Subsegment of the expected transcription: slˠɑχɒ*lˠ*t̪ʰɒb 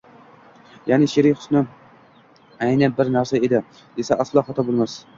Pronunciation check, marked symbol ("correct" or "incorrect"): incorrect